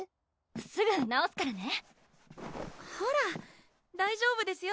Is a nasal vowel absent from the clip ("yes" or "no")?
yes